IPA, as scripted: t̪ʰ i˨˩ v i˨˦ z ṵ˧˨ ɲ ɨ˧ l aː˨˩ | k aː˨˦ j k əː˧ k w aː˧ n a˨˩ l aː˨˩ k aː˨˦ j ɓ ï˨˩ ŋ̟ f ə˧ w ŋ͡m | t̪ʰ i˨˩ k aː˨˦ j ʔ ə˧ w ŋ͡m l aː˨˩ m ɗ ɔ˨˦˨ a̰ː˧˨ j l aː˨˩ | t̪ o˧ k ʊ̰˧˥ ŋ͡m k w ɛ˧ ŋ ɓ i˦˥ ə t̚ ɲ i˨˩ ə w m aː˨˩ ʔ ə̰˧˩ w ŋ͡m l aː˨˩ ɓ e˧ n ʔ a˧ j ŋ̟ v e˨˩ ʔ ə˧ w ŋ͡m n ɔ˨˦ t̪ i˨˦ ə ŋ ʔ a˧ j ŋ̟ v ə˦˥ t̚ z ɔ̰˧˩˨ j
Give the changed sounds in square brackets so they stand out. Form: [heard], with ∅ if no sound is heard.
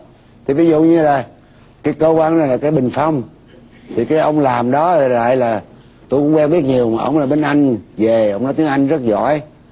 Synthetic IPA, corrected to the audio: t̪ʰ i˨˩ v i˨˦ z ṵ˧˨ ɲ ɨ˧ l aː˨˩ | k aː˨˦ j k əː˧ k w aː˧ n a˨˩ l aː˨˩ k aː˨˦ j ɓ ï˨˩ ŋ̟ f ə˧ w ŋ͡m | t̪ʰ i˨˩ k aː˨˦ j ʔ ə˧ w ŋ͡m l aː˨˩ m ɗ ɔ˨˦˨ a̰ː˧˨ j l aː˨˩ | t̪ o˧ k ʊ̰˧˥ ŋ͡m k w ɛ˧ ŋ ɓ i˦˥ ə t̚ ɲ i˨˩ ə w m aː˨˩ ʔ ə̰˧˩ w ŋ͡m l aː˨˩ ɓ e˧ n ʔ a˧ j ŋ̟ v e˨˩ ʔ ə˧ w ŋ͡m n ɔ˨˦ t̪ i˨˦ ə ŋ ʔ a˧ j ŋ̟ [z] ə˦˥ t̚ z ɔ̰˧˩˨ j